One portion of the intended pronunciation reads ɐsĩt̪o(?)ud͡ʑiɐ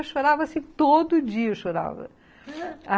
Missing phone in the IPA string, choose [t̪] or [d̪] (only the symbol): d̪